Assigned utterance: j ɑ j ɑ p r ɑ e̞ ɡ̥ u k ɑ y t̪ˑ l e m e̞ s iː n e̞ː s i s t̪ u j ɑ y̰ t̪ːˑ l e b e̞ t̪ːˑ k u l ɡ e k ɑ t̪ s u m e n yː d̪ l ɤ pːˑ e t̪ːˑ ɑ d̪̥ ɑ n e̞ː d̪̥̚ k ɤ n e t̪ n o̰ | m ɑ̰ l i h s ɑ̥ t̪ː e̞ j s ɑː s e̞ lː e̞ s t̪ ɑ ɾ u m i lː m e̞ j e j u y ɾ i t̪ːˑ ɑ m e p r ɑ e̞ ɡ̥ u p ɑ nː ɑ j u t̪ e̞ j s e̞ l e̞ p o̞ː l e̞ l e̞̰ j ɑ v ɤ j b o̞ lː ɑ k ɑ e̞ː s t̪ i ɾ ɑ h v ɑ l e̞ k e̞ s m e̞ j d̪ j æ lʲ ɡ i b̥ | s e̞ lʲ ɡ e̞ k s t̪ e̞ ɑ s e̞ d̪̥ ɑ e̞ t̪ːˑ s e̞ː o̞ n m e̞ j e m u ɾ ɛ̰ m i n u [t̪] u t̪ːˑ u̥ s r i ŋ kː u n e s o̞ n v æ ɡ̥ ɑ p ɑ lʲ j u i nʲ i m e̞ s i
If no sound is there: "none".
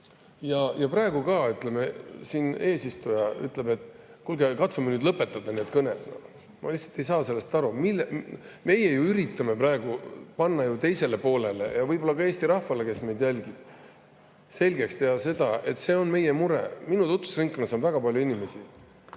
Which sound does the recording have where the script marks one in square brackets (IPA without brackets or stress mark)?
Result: t̪